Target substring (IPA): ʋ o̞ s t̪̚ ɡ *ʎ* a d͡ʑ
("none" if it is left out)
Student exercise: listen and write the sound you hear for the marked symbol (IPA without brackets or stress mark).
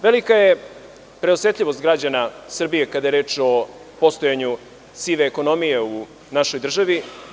ɾ